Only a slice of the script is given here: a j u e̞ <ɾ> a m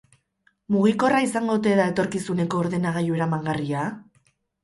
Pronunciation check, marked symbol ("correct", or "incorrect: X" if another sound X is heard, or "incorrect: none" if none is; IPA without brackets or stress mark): correct